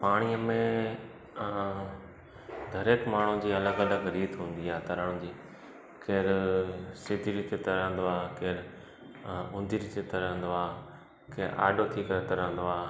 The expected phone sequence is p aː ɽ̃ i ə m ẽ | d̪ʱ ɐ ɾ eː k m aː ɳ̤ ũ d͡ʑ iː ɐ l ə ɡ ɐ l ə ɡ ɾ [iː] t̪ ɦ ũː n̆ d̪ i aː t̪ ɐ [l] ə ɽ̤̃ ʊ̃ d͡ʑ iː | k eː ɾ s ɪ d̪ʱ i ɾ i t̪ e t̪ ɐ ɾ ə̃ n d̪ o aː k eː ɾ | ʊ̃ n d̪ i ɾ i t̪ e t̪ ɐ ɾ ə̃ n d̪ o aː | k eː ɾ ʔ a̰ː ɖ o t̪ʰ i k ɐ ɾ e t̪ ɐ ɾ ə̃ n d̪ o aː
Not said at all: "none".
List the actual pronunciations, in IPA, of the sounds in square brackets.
iː, ɾ

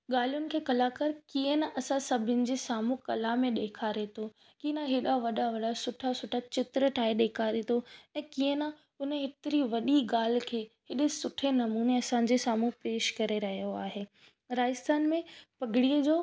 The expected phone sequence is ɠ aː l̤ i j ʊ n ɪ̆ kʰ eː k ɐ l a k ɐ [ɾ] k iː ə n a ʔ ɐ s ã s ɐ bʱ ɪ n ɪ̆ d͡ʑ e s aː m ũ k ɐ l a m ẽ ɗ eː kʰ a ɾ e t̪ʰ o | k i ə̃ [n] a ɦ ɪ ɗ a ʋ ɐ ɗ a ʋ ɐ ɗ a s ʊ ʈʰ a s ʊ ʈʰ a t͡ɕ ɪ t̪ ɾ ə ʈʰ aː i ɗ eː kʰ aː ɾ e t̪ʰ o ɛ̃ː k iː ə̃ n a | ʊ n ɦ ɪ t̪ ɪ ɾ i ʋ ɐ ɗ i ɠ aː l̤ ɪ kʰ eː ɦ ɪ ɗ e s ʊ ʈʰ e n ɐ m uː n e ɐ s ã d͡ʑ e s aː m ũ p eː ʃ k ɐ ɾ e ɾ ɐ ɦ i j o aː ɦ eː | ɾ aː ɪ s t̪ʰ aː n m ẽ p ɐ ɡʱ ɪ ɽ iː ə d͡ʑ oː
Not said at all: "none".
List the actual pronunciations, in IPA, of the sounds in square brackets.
ɾ, n

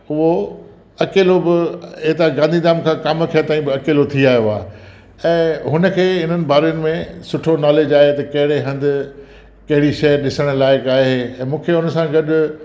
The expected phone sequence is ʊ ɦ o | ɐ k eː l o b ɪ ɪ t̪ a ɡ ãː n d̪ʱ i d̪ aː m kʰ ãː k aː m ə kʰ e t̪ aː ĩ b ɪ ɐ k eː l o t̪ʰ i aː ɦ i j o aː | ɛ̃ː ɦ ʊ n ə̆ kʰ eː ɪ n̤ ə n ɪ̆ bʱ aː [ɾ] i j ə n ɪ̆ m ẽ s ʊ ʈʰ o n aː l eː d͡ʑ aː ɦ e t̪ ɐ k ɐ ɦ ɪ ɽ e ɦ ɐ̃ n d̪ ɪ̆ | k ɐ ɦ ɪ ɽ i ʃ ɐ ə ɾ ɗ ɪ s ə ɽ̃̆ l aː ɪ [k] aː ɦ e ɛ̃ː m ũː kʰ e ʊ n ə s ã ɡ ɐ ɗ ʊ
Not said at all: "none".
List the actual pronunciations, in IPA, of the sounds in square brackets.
ɾ, k

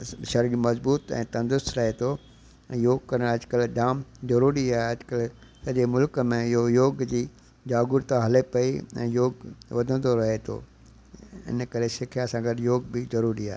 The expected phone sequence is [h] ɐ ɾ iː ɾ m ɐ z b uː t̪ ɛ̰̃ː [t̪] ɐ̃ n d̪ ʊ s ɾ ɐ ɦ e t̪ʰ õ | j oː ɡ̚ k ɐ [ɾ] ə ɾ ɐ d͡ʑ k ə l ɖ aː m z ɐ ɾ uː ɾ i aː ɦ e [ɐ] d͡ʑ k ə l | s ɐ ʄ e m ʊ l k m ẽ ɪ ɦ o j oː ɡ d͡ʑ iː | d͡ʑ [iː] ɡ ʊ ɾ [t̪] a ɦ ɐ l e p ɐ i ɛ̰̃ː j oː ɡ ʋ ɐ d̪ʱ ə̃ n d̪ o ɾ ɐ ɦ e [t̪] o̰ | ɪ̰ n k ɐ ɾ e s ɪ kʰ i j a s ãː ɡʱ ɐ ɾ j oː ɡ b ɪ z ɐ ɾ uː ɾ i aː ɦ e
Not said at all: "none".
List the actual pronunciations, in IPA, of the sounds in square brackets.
ʃ, t̪, ɾ, ɐ, aː, t̪, t̪ʰ

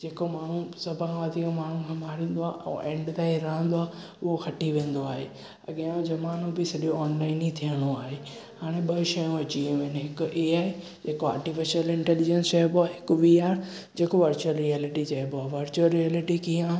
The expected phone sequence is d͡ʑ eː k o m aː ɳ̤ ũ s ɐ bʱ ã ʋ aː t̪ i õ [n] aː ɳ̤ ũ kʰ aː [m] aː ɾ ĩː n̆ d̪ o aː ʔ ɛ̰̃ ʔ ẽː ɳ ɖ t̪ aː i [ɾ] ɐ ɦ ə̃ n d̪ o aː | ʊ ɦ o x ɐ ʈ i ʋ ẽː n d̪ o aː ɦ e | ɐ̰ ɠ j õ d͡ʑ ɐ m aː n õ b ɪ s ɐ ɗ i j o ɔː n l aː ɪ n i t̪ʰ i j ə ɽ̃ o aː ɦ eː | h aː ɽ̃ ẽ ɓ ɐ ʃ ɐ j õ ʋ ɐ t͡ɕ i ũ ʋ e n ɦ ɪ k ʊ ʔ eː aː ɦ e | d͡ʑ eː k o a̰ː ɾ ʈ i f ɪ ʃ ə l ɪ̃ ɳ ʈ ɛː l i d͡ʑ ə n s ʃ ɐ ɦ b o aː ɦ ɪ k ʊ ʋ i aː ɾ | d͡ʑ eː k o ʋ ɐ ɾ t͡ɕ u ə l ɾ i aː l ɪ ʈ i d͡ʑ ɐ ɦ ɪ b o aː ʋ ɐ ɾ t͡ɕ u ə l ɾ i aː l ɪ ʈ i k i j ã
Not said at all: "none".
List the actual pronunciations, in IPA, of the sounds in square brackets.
m, m, ɾ

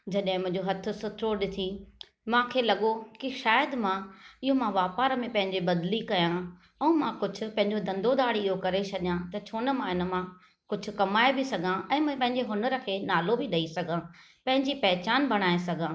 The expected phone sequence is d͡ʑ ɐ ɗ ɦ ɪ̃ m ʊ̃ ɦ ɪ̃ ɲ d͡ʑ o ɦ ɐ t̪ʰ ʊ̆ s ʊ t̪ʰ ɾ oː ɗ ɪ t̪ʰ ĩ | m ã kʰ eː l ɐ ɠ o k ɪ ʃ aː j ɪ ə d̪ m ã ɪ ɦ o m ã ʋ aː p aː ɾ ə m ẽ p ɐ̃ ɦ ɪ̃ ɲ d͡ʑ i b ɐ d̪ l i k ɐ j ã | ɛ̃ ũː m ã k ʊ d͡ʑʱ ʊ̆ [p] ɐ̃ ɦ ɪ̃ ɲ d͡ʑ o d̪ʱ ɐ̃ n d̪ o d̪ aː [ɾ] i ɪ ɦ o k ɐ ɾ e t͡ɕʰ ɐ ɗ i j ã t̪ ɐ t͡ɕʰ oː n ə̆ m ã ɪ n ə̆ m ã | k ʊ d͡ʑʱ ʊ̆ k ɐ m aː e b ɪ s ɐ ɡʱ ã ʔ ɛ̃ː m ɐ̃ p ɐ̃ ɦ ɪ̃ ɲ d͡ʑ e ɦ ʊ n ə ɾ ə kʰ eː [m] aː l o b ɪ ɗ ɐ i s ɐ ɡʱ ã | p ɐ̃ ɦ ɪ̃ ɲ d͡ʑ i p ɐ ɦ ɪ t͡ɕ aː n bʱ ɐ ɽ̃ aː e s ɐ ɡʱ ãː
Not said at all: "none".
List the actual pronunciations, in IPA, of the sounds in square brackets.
p, ɽ, n

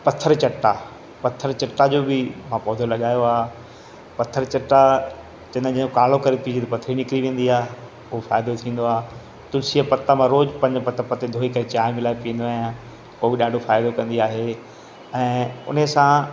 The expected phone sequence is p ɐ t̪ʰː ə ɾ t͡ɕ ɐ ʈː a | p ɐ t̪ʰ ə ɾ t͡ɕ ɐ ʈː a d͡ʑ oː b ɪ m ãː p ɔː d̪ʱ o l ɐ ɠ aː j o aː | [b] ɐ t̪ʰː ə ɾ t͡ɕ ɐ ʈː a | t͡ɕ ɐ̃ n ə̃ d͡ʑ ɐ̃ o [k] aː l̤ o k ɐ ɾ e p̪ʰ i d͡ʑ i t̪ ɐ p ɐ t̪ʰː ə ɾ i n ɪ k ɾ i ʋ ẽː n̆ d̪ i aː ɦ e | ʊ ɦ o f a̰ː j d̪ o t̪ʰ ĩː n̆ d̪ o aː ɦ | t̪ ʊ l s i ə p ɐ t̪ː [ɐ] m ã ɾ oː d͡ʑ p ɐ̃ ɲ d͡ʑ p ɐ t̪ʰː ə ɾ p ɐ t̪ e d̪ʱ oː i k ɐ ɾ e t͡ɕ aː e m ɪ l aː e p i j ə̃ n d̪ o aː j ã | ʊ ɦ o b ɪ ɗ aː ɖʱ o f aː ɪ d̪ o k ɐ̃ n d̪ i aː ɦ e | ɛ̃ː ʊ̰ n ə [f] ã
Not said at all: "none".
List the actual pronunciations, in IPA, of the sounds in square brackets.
p, k, a, s

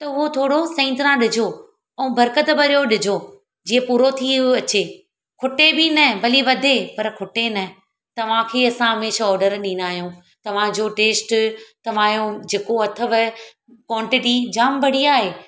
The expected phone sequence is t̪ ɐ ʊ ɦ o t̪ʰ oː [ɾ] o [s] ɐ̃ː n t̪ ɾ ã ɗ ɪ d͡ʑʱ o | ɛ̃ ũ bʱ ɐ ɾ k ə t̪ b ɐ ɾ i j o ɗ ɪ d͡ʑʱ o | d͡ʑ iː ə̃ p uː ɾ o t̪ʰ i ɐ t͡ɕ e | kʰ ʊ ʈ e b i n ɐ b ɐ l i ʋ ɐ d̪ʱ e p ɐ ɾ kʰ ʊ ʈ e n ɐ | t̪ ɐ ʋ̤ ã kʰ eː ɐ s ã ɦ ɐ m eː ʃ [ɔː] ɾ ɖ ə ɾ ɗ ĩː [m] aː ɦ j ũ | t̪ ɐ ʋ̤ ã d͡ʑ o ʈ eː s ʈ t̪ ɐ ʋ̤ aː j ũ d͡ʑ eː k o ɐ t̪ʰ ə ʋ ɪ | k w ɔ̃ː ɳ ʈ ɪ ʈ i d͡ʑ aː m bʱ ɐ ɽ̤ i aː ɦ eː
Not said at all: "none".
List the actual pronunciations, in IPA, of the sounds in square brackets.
ɽ, s, ɔː, n

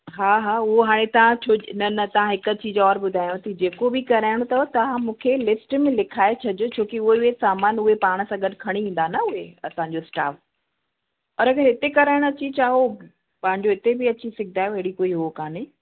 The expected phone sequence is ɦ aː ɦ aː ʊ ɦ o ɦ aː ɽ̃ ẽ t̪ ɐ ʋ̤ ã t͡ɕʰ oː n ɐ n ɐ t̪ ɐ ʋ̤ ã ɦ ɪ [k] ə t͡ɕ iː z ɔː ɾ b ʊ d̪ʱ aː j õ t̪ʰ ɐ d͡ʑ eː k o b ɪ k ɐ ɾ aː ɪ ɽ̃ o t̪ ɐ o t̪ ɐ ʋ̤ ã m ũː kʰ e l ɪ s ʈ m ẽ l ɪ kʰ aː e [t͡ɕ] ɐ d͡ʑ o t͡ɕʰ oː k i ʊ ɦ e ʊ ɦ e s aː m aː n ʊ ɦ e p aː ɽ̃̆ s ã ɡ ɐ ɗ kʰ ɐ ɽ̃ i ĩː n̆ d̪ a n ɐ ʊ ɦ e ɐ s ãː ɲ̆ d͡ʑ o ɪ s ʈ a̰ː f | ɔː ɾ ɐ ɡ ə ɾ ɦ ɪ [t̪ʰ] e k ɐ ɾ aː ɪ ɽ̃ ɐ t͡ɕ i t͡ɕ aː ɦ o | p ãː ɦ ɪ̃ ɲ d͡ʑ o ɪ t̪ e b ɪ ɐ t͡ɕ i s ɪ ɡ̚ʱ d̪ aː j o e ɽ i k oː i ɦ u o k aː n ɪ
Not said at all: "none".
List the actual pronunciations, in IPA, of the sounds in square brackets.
k, t͡ɕʰ, t̪

